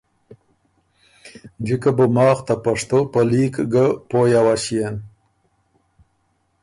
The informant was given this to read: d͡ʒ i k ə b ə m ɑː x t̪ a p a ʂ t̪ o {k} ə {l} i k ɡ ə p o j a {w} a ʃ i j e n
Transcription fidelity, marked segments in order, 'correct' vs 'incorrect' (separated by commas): incorrect, correct, correct